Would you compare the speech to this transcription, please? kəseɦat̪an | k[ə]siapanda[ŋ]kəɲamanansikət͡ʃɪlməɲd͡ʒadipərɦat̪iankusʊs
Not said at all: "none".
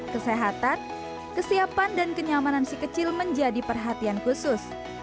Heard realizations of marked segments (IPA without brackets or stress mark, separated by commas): ə, n